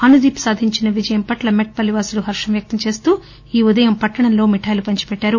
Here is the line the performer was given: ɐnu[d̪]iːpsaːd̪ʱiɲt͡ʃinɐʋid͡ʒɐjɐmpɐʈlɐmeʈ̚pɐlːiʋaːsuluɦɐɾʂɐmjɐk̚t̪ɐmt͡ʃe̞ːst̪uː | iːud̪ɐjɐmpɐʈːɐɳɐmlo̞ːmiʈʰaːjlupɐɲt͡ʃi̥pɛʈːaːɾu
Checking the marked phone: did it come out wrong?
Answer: no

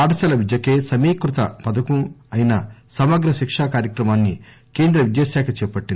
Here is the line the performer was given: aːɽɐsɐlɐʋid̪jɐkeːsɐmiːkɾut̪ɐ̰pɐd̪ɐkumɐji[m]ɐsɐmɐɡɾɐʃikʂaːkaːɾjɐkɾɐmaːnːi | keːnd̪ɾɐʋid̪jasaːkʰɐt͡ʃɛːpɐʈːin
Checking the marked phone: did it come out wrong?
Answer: yes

